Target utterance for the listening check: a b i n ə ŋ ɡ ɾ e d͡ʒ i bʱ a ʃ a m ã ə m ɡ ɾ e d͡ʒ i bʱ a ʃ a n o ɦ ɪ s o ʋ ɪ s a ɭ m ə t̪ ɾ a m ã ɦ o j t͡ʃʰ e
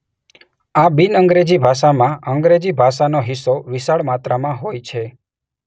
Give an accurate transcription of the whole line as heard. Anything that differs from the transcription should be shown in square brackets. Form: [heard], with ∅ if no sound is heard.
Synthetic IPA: a b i n ə ŋ ɡ ɾ e d͡ʒ i bʱ a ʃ a m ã ə [ŋ] ɡ ɾ e d͡ʒ i bʱ a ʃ a n o ɦ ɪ s o ʋ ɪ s a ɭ m [a] t̪ ɾ a m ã ɦ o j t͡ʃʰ e